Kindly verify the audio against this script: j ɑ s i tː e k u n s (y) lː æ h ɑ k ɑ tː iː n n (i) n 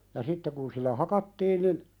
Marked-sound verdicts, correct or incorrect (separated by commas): incorrect, correct